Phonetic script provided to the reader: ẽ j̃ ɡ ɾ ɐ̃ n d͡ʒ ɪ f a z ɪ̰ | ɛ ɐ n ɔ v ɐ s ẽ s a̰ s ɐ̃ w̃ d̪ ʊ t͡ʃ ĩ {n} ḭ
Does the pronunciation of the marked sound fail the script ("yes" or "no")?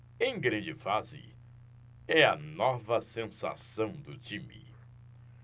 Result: yes